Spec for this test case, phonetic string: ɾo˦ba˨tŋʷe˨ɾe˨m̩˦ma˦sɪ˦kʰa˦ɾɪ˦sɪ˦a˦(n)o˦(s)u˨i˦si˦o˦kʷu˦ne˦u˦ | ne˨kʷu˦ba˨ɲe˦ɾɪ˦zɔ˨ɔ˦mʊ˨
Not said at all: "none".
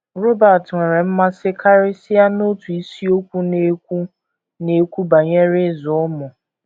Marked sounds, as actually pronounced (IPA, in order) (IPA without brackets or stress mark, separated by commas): n, t